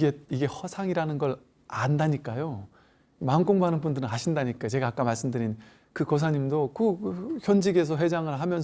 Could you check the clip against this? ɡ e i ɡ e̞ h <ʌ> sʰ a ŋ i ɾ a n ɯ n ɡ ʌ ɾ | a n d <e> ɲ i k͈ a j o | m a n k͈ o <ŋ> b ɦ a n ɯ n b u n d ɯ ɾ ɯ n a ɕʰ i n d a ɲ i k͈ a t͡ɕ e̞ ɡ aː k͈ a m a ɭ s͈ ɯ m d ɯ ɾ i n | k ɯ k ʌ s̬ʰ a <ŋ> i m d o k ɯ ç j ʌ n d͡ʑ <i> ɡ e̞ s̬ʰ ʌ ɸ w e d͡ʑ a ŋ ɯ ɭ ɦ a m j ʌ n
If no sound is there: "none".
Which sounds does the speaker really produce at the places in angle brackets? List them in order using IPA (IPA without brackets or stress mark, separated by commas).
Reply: ʌ, a, ŋ, ɲ, i